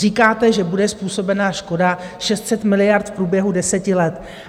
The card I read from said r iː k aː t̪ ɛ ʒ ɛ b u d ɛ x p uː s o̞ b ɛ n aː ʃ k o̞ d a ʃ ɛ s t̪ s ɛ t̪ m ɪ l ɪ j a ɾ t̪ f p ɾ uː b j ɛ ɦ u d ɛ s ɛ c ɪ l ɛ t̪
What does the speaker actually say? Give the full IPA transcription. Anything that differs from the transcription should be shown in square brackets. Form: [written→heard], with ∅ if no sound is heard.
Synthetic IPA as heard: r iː k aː t̪ ɛ ʒ ɛ b u d ɛ [x→s] p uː s o̞ b ɛ n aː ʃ k o̞ d a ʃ ɛ s t̪ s ɛ t̪ m ɪ l ɪ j a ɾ t̪ f p ɾ uː b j ɛ ɦ u d ɛ s ɛ c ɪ l ɛ t̪